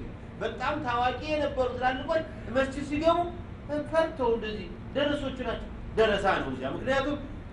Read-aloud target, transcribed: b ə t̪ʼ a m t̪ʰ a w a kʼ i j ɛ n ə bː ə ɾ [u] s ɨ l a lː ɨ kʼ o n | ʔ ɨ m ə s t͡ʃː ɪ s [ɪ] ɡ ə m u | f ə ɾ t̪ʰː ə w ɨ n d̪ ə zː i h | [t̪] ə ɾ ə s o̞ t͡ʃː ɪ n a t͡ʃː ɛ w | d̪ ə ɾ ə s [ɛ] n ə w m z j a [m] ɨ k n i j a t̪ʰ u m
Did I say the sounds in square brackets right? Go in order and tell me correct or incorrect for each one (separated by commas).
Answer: correct, incorrect, incorrect, incorrect, correct